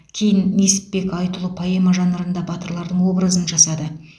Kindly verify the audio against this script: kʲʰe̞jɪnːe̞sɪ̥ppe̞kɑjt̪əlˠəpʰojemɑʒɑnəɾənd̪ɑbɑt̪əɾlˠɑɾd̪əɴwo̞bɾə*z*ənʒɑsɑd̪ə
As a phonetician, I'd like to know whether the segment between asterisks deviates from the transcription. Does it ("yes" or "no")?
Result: no